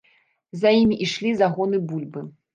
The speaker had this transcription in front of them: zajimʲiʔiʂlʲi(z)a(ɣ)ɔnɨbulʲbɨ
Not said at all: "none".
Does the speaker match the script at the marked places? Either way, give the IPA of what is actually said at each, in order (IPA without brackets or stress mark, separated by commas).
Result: z, ɣ